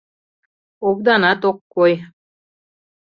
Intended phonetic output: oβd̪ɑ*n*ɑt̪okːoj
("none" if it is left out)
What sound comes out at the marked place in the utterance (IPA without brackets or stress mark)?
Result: n